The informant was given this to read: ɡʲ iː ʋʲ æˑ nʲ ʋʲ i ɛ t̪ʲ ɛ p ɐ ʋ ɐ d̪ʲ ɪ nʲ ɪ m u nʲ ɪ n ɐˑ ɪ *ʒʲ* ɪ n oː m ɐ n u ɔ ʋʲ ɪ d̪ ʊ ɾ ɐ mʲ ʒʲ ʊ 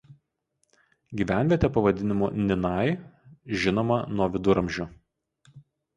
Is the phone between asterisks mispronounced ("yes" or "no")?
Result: no